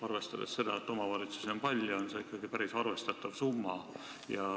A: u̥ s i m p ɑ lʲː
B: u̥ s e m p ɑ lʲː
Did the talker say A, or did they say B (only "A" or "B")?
B